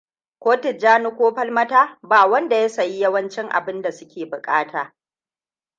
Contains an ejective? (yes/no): yes